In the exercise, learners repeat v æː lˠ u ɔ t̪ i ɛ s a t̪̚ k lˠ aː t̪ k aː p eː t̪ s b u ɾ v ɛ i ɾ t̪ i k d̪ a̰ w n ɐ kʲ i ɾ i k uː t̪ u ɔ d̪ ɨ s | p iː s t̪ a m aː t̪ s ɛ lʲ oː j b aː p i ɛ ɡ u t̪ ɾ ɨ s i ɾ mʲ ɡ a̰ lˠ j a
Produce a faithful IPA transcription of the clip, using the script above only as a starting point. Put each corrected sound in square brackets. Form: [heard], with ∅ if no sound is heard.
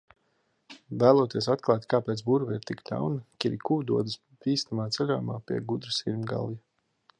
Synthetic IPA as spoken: v æː lˠ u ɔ t̪ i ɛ s a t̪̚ k lˠ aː t̪ k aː p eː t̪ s b u ɾ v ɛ i ɾ t̪ i k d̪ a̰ w n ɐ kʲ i ɾ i k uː [d̪] u ɔ d̪ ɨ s | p iː s t̪ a m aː t̪ s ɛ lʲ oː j [m] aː p i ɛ ɡ u [d̪] ɾ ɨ s i ɾ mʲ ɡ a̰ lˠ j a